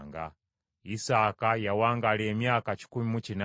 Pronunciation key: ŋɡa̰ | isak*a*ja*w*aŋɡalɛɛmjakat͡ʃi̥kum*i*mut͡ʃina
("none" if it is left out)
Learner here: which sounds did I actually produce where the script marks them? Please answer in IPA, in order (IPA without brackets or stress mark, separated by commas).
a, w, i